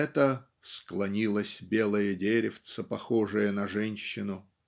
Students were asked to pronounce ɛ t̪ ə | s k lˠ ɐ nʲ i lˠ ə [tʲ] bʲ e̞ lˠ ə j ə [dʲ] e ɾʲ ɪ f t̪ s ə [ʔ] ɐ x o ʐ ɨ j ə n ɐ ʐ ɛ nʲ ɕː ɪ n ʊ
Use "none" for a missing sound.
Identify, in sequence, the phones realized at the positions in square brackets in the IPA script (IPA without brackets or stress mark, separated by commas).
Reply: sʲ, dʲ, p